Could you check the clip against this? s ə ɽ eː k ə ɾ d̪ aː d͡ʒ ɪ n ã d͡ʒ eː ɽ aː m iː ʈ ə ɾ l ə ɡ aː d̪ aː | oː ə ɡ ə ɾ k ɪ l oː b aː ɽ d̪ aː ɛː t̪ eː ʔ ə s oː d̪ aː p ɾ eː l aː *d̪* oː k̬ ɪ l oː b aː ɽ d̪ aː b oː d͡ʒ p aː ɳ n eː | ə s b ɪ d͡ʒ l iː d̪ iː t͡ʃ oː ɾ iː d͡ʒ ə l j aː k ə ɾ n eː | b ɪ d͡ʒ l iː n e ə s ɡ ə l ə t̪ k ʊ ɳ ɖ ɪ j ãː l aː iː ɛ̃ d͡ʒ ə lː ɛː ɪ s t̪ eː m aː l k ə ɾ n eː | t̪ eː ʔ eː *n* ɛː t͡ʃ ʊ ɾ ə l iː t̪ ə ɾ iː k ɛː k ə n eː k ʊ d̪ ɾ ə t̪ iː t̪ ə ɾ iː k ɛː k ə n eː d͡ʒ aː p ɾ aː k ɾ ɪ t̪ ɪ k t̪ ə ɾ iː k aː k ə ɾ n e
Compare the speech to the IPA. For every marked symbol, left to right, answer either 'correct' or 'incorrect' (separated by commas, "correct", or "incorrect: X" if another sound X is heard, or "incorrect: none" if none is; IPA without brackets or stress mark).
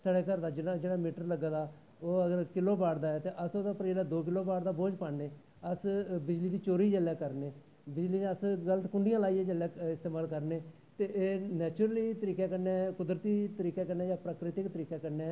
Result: correct, correct